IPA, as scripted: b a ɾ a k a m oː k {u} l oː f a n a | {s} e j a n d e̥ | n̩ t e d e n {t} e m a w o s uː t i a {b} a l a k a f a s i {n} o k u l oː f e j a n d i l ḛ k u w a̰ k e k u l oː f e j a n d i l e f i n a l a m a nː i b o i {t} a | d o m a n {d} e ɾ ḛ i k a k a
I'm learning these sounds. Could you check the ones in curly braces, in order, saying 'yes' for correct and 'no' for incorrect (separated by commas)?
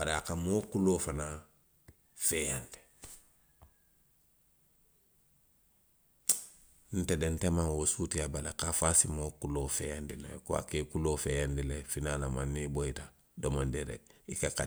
yes, no, yes, yes, no, yes, yes